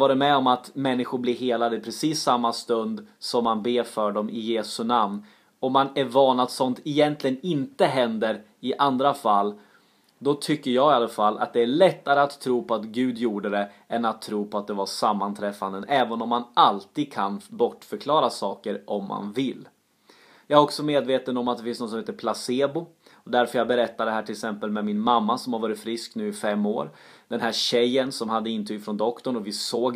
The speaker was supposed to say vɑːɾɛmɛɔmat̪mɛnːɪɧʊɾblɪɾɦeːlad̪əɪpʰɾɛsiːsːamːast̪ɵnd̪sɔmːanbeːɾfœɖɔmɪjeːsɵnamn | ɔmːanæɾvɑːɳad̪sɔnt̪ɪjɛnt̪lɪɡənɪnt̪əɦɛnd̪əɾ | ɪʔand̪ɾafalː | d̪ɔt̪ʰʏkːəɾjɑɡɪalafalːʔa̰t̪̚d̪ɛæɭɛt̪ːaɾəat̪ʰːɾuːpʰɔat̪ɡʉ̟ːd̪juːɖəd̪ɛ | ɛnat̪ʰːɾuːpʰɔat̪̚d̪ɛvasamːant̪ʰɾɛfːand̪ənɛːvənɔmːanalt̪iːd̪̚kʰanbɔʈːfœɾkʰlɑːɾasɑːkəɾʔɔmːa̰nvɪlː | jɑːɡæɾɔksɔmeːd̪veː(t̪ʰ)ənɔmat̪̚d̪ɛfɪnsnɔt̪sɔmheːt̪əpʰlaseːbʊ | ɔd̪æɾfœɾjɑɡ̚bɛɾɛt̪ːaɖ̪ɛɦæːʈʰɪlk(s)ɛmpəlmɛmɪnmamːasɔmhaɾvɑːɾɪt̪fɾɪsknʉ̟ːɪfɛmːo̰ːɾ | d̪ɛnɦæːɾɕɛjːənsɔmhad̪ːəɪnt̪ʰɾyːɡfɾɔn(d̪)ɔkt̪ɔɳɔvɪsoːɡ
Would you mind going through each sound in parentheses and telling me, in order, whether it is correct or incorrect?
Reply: incorrect, correct, correct

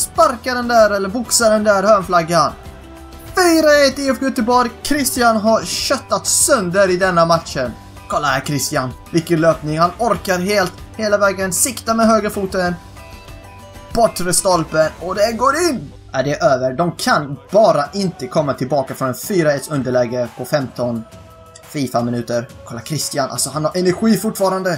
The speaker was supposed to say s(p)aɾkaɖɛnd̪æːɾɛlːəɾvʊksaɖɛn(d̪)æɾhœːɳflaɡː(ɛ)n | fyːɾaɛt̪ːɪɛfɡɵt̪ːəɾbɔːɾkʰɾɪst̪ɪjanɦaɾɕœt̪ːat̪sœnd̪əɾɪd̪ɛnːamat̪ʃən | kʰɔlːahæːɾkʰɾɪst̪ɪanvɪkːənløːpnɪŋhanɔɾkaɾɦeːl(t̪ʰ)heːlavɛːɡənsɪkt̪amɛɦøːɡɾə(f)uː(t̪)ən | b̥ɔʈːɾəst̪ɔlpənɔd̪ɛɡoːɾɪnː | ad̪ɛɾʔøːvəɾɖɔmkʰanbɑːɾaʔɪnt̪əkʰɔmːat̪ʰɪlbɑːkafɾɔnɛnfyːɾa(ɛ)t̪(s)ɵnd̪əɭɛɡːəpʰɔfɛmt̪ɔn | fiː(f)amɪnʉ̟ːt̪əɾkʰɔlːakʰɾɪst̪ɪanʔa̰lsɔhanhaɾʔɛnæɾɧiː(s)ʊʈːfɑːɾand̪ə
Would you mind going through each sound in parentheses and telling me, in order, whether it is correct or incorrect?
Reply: correct, correct, incorrect, incorrect, correct, correct, correct, correct, correct, incorrect

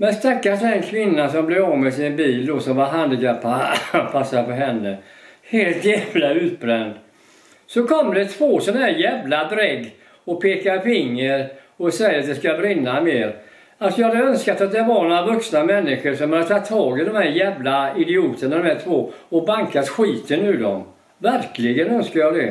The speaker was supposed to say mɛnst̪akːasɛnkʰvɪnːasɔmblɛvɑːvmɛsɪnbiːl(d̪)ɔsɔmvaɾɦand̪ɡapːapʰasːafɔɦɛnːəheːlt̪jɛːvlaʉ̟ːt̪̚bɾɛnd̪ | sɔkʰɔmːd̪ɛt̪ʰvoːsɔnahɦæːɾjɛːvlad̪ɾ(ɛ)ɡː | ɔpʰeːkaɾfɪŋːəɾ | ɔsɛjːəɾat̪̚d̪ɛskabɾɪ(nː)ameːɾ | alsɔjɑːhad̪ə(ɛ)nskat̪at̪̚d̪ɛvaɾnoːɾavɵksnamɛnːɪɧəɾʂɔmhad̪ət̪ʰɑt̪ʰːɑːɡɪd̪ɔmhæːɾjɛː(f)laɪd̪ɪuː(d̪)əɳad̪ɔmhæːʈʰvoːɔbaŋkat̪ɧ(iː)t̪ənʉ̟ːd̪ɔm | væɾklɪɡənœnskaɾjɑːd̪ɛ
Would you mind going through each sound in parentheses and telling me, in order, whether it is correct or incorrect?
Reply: correct, correct, correct, incorrect, incorrect, incorrect, correct

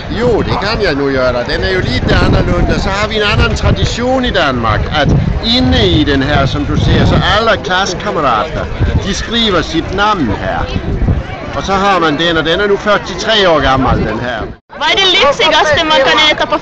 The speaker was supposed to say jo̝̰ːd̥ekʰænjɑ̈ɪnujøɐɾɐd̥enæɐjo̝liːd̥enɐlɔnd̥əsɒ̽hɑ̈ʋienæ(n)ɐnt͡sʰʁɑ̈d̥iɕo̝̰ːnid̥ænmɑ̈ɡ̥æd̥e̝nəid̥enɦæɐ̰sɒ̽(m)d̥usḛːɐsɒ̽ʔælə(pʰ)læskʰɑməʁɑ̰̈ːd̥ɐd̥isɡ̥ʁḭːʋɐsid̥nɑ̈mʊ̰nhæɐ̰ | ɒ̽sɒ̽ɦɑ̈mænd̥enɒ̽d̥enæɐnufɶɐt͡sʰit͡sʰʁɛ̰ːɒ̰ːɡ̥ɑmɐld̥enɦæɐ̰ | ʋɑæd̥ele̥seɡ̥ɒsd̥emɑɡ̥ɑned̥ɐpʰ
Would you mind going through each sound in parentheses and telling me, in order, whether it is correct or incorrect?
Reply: correct, correct, incorrect

